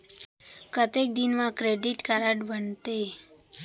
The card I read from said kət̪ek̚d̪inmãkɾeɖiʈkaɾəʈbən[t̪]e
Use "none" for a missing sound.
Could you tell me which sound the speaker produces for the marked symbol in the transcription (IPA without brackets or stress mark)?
t̪